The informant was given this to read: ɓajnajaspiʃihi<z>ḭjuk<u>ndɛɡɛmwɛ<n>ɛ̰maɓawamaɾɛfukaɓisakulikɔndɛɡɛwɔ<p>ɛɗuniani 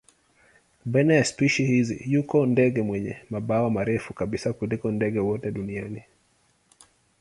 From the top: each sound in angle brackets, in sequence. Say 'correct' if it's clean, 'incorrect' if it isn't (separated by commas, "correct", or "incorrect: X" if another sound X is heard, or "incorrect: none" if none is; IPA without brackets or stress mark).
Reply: correct, incorrect: ɔ, incorrect: ɲ, incorrect: t